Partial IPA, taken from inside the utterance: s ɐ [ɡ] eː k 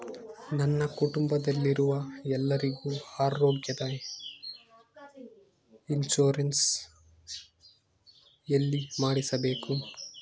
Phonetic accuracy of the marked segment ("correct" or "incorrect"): incorrect